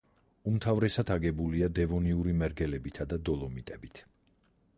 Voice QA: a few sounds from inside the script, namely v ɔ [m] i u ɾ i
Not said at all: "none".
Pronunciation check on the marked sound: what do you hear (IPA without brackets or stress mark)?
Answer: n